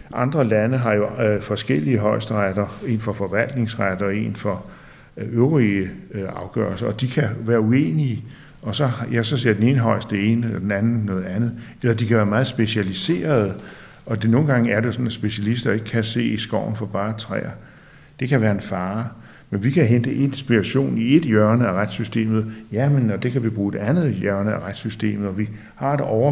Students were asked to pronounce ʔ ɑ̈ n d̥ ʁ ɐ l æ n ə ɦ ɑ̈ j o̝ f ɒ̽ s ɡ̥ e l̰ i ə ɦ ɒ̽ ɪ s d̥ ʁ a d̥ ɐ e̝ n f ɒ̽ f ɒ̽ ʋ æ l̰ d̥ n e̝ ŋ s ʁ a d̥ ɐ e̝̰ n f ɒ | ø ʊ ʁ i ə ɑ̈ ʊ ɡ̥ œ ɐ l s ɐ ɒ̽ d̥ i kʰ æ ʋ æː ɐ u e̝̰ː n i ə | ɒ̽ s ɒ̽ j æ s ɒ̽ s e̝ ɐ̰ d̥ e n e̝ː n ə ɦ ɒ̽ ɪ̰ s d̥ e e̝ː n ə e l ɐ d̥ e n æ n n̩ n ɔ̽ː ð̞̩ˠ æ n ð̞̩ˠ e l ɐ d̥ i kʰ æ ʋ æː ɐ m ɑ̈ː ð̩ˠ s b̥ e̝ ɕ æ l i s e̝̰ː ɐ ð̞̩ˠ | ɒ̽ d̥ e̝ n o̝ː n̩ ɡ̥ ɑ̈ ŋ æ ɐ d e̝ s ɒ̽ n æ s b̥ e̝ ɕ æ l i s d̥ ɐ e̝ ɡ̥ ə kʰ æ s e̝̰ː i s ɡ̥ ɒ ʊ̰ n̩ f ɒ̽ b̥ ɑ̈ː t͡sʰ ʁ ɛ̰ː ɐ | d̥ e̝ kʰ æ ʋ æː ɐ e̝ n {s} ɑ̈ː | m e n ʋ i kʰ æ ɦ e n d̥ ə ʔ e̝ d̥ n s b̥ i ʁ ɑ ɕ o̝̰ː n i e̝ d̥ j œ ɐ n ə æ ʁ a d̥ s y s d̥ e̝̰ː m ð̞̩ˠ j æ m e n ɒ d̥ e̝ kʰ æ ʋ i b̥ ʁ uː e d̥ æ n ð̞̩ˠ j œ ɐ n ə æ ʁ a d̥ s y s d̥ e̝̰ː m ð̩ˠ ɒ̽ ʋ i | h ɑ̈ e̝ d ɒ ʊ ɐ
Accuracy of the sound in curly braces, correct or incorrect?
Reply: incorrect